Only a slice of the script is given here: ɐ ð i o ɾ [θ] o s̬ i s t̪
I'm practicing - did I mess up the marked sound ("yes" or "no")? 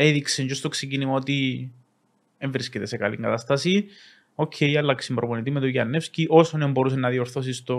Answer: no